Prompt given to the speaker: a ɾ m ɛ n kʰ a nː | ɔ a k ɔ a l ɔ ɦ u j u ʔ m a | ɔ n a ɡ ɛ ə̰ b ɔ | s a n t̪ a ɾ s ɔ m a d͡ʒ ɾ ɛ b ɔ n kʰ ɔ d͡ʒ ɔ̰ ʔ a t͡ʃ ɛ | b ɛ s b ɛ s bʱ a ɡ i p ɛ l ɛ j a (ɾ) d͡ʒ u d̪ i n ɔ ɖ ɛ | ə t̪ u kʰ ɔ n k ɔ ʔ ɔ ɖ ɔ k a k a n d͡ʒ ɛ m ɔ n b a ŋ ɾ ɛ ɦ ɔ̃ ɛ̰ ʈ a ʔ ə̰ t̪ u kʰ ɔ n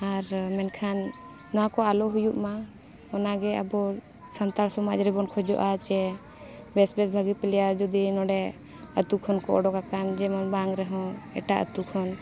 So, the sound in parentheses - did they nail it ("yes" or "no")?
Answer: yes